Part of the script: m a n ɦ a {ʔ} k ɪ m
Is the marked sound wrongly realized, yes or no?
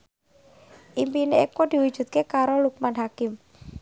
yes